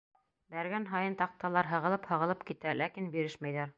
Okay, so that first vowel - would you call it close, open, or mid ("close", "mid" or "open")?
open